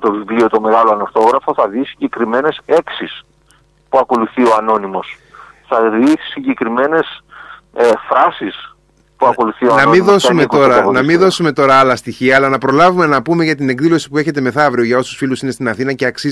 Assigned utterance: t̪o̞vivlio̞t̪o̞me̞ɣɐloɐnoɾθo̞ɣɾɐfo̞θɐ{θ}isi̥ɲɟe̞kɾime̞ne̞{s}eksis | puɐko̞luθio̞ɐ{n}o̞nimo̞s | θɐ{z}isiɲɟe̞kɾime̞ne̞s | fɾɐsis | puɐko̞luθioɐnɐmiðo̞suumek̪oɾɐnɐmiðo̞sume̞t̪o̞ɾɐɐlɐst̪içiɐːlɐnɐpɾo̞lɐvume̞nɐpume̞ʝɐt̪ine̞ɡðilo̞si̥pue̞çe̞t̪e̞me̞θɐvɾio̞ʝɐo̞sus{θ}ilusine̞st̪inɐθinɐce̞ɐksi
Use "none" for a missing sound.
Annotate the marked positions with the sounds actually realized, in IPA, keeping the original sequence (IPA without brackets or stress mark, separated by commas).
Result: ð, s, n, ð, f